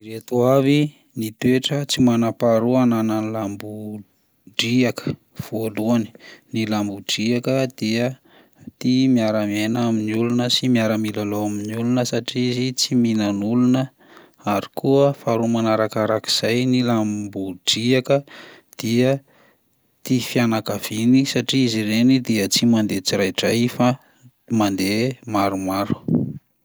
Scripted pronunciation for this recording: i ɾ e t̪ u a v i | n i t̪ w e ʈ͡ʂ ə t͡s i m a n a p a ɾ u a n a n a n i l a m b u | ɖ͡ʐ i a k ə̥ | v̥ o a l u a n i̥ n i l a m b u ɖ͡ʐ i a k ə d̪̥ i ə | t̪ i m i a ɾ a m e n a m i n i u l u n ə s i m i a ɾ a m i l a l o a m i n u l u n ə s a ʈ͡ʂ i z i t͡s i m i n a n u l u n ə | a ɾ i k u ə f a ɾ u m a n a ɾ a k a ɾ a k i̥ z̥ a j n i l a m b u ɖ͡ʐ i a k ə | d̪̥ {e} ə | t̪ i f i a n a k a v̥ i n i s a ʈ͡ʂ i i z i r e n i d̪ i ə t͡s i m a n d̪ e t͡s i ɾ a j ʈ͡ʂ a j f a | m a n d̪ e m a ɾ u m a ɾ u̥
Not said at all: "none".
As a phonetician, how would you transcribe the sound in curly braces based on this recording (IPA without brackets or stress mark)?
i